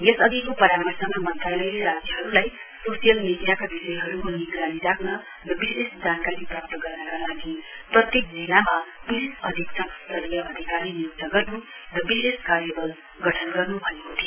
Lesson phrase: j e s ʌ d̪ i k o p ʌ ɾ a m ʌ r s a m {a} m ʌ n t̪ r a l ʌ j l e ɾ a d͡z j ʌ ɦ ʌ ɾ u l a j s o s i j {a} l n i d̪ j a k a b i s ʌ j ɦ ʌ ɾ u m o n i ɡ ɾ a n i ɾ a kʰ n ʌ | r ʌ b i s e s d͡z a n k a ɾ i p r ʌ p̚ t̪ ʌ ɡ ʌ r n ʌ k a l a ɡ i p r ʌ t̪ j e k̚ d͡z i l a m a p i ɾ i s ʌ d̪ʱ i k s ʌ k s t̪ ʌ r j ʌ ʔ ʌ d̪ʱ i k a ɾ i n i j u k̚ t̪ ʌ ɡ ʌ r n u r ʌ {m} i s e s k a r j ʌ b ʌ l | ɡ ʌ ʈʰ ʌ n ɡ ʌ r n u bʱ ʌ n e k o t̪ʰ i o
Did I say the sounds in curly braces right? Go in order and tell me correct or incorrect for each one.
correct, incorrect, incorrect

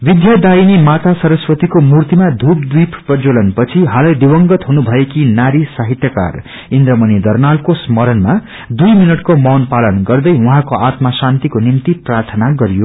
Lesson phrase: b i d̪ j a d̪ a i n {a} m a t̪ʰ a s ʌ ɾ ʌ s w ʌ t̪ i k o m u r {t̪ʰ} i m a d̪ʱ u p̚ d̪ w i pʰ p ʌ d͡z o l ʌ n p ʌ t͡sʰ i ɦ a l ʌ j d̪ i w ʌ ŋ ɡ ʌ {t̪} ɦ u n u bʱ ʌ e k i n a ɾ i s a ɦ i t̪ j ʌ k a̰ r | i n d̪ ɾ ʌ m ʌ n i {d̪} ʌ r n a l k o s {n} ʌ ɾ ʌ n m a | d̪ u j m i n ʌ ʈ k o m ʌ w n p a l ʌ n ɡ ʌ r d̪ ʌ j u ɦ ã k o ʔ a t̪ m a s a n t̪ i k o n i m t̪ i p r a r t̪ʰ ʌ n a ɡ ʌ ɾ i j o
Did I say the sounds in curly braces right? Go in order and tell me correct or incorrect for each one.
incorrect, incorrect, correct, correct, incorrect

